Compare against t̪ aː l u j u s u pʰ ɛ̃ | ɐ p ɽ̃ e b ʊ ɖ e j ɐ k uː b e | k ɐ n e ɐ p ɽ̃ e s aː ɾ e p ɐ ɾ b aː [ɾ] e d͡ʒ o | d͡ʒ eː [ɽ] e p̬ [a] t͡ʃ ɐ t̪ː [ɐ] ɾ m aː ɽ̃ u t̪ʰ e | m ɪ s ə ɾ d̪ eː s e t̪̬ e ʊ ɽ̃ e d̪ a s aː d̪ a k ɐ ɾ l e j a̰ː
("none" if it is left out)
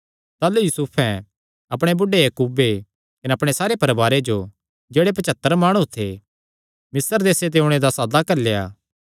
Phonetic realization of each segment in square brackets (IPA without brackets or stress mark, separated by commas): ɾ, ɽ, ɐ, ə